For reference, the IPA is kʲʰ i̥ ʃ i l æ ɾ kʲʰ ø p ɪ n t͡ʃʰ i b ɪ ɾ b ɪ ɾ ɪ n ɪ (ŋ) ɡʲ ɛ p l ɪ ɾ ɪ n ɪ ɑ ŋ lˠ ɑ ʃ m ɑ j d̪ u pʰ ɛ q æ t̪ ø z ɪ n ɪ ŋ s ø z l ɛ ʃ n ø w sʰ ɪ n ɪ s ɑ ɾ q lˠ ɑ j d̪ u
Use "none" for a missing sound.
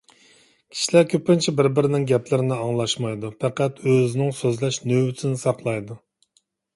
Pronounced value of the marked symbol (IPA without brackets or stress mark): ŋ